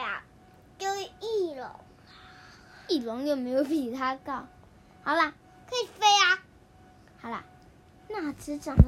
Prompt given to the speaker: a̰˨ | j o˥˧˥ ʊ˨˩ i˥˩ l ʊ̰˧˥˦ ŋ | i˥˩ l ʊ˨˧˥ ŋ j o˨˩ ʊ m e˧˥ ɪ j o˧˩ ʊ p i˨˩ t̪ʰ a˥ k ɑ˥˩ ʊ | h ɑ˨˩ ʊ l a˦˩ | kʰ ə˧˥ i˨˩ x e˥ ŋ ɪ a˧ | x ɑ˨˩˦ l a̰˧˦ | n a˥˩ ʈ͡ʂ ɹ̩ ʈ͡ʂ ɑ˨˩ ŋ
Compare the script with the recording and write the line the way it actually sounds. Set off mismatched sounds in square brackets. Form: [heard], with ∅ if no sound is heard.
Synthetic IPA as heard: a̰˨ | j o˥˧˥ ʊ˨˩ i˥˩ l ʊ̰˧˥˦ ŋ | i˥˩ l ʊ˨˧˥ ŋ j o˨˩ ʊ m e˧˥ ɪ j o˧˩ ʊ p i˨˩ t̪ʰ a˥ k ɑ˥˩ ʊ | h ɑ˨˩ ʊ l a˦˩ | kʰ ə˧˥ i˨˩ [f] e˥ [∅] ɪ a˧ | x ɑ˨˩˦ l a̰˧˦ | n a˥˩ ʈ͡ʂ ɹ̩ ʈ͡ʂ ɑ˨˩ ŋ